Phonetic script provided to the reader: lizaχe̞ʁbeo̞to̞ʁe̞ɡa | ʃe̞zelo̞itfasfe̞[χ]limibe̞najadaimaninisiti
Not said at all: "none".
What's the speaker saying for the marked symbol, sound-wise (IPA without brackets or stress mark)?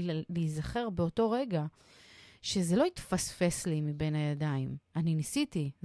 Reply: s